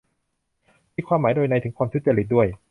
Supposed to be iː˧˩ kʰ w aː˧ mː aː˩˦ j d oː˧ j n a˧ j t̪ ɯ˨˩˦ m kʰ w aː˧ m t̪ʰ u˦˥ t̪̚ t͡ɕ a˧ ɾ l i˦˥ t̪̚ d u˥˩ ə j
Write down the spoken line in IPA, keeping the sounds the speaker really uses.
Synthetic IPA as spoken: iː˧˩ kʰ w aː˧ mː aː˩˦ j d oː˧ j n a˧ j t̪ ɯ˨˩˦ ŋ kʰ w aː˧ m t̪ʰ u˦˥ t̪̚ t͡ɕ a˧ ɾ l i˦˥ t̪̚ d u˥˩ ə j